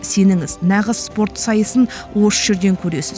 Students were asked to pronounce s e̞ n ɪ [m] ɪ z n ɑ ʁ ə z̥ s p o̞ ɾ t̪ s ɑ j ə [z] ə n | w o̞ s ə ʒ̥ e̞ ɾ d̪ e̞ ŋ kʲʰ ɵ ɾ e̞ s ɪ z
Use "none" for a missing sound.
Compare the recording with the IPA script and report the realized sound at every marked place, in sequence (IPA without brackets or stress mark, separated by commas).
ŋ, s